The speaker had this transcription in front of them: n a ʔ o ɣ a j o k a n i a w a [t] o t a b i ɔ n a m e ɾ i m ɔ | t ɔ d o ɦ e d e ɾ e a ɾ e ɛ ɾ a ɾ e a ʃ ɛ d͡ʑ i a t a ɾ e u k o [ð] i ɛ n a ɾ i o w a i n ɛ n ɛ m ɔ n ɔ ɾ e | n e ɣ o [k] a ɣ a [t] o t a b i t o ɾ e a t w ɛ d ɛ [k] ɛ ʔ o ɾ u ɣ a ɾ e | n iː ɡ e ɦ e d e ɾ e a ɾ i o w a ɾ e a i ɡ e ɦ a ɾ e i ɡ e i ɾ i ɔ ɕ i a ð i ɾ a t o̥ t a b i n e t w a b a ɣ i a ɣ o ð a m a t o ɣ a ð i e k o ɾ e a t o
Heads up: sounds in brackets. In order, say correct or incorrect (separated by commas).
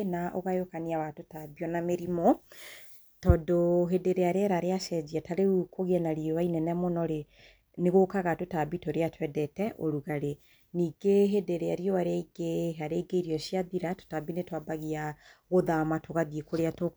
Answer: correct, incorrect, correct, correct, incorrect